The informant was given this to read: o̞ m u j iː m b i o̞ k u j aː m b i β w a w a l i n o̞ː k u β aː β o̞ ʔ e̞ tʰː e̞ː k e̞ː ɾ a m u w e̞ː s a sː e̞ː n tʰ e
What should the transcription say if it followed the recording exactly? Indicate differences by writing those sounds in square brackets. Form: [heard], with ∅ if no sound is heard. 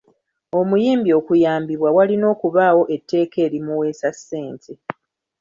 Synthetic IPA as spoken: o̞ m u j iː m b i o̞ k u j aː m b i β w a w a l i n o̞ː k u β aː [w] o̞ ʔ e̞ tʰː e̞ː k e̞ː ɾ [i] m u w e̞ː s a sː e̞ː n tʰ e